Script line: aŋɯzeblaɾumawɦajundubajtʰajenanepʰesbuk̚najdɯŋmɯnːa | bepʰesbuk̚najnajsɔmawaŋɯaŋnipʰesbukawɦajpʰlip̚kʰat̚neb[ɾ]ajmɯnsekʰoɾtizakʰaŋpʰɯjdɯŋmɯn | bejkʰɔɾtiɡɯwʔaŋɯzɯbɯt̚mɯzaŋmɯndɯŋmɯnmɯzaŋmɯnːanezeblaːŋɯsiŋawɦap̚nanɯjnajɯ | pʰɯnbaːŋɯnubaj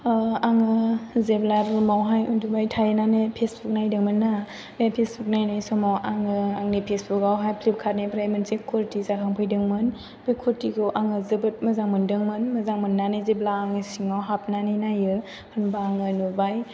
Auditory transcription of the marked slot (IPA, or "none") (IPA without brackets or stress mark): ɾ